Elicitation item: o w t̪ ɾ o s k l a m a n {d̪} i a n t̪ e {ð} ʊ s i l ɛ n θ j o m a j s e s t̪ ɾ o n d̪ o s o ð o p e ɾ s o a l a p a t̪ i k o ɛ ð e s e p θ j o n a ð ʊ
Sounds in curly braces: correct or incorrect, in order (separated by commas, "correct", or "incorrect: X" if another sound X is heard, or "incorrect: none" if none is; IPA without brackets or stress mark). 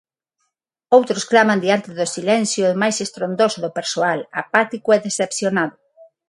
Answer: correct, correct